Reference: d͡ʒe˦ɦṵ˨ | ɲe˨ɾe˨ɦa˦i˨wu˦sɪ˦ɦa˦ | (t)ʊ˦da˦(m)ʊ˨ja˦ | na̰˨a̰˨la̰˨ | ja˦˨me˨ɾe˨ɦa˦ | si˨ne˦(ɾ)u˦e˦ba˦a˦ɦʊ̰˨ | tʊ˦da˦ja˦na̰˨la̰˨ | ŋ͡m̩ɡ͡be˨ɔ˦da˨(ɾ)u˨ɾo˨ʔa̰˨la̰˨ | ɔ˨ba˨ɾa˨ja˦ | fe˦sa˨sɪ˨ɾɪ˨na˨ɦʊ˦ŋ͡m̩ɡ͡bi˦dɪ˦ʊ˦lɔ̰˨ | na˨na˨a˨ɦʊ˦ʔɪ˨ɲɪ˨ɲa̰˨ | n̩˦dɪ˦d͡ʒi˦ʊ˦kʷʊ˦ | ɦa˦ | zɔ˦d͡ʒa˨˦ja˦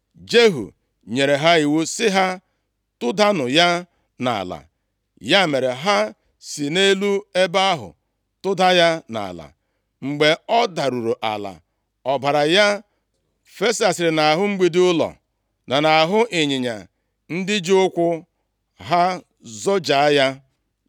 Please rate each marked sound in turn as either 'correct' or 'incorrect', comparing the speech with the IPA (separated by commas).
correct, incorrect, incorrect, correct